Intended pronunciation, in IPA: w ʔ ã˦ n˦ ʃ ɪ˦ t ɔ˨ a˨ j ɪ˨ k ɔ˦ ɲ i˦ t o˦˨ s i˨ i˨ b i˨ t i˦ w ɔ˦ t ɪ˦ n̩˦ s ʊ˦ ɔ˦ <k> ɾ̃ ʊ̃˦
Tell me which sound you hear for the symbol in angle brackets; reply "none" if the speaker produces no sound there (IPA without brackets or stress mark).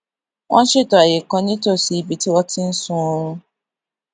none